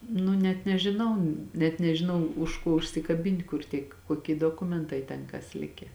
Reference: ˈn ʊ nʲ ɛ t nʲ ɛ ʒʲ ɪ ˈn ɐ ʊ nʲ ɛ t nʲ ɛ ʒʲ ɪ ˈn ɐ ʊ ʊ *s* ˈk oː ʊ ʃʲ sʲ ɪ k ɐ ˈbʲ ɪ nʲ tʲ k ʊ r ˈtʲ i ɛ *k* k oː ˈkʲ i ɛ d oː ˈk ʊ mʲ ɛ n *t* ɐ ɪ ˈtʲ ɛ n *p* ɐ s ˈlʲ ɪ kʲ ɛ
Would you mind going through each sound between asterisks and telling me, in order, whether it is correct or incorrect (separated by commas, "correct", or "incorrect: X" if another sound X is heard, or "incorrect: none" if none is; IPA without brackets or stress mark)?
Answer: incorrect: ʃ, correct, correct, incorrect: k